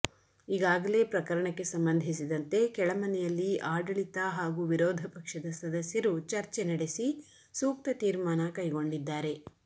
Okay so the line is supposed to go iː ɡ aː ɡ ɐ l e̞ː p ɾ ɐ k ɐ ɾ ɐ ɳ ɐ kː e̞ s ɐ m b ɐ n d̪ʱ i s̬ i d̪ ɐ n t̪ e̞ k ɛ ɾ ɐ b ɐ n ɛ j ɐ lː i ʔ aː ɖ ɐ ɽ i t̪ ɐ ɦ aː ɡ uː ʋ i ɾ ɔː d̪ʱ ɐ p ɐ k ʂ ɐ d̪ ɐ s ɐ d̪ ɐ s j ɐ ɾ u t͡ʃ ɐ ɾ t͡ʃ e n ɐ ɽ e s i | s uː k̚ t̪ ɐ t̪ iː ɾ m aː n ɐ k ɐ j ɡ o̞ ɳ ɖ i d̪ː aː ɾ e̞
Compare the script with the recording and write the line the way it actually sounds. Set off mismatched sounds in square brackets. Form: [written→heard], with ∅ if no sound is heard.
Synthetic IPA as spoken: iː ɡ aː ɡ ɐ l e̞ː p ɾ ɐ k ɐ ɾ ɐ ɳ ɐ kː e̞ s ɐ m b ɐ n d̪ʱ i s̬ i d̪ ɐ n t̪ e̞ k ɛ [ɾ→ɭ] ɐ [b→m] ɐ n ɛ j ɐ lː i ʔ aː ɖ ɐ [ɽ→ɭ] i t̪ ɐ ɦ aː ɡ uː ʋ i ɾ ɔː d̪ʱ ɐ p ɐ k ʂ ɐ d̪ ɐ s ɐ d̪ ɐ s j ɐ ɾ u t͡ʃ ɐ ɾ t͡ʃ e n ɐ ɽ e s i | s uː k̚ t̪ ɐ t̪ iː ɾ m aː n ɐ k ɐ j ɡ o̞ ɳ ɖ i d̪ː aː ɾ e̞